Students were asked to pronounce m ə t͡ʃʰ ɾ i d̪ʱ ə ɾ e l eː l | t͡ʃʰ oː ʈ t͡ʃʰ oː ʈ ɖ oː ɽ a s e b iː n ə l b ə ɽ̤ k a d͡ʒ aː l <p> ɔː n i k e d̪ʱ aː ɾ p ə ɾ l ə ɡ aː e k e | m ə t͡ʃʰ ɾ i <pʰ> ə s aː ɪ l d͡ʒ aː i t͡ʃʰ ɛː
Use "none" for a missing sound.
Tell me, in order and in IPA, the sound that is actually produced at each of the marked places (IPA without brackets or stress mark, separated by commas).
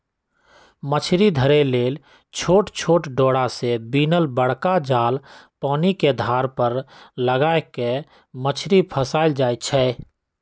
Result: p, pʰ